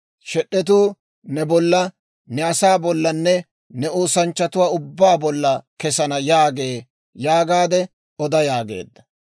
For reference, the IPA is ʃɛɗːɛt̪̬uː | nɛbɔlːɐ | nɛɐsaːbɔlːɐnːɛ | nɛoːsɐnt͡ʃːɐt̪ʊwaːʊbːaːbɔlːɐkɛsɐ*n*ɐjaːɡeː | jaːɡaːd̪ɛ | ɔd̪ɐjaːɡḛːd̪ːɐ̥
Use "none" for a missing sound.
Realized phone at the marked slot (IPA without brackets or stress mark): n